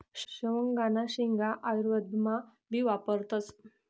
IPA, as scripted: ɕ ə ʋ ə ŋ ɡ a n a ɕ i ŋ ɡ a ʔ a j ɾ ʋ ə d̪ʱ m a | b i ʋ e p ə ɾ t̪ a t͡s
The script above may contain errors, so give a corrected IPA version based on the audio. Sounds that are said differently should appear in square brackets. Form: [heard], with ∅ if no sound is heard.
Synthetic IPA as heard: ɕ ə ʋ ə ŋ ɡ a n a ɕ i ŋ ɡ a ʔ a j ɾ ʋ ə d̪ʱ m a | b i ʋ [a] p ə ɾ t̪ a t͡s